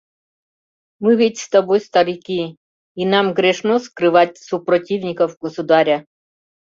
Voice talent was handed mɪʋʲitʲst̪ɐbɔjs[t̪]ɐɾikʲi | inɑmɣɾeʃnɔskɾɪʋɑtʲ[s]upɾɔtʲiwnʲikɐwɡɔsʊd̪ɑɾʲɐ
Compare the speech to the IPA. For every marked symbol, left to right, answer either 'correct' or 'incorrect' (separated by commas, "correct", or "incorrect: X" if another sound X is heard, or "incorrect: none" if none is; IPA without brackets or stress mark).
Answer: correct, correct